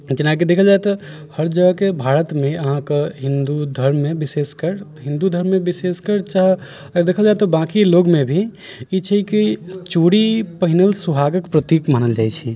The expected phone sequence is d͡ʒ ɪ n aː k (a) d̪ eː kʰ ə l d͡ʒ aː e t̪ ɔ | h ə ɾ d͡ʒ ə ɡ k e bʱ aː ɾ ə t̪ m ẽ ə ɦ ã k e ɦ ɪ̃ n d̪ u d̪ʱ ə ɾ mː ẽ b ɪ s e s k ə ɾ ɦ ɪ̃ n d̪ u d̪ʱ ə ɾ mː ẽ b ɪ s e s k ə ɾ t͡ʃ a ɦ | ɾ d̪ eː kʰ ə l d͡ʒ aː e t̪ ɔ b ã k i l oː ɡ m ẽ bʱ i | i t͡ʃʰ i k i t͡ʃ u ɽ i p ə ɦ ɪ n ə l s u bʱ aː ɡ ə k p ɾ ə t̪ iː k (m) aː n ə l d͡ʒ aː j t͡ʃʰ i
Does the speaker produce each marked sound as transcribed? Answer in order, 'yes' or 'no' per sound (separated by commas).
no, yes